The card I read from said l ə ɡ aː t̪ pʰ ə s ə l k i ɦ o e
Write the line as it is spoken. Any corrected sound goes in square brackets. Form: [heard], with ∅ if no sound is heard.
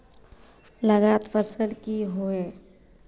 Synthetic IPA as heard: l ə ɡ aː t̪ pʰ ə s ə l k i ɦ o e